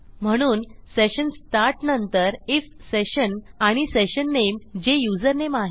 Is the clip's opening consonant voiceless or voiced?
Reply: voiced